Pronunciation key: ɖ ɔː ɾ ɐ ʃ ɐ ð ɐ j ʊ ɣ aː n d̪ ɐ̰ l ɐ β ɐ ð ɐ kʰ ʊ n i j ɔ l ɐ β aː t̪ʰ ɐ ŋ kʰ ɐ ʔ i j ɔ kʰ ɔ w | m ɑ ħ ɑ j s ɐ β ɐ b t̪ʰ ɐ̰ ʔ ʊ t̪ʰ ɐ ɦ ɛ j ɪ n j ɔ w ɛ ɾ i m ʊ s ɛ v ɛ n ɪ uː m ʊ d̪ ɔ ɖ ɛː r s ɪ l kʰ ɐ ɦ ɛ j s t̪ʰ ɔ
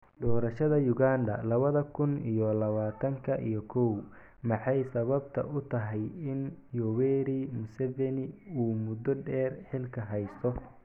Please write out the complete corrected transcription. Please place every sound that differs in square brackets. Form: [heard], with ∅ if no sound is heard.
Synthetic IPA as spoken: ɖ ɔː ɾ ɐ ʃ ɐ ð ɐ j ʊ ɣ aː n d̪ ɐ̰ l ɐ β ɐ ð ɐ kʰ ʊ n i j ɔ l ɐ β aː t̪ʰ ɐ ŋ kʰ ɐ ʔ i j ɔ kʰ ɔ w | m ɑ ħ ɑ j s ɐ β ɐ b t̪ʰ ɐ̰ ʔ ʊ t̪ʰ ɐ ɦ ɛ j ɪ n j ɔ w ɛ ɾ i m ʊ s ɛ v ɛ n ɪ uː m ʊ d̪ ɔ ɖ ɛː r [ħ] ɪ l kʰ ɐ ɦ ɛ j s t̪ʰ ɔ